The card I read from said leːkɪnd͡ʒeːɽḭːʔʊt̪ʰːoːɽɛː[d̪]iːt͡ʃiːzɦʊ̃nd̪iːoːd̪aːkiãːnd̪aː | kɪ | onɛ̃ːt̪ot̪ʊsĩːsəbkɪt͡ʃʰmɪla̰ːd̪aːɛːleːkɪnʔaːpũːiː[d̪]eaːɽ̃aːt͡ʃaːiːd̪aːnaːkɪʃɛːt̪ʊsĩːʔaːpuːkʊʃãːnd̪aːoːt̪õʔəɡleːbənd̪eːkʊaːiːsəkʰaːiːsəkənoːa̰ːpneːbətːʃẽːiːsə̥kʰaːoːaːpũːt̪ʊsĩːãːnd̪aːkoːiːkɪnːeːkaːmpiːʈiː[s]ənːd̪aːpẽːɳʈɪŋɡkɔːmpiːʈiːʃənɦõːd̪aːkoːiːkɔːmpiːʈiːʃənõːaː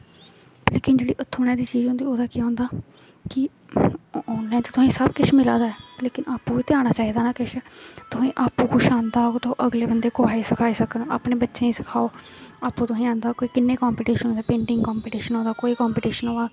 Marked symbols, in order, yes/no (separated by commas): yes, no, no